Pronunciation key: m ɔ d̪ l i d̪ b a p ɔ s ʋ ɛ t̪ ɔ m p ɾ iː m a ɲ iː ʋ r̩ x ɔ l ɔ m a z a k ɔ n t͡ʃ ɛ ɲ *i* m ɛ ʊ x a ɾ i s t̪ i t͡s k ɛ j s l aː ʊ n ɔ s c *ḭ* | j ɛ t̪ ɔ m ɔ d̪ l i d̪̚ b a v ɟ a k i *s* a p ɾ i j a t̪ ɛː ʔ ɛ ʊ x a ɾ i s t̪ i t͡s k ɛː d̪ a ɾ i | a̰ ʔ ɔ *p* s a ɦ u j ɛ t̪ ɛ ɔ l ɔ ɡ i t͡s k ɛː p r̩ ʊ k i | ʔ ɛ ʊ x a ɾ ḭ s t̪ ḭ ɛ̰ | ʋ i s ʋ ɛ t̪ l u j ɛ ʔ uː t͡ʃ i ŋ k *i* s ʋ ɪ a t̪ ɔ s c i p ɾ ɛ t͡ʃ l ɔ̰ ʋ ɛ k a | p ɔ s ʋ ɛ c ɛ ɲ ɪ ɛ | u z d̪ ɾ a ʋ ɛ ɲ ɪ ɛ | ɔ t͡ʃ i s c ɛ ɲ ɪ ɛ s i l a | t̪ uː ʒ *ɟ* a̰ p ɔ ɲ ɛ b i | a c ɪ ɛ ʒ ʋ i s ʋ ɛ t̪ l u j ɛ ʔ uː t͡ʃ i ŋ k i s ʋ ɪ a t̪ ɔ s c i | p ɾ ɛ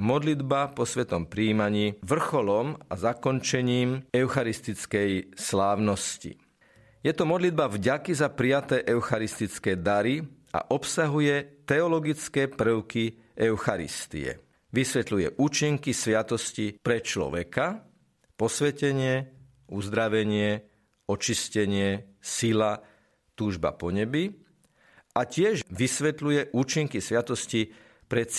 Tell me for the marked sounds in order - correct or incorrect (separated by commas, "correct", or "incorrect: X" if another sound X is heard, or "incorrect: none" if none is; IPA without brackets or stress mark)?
incorrect: iː, correct, incorrect: z, correct, correct, incorrect: b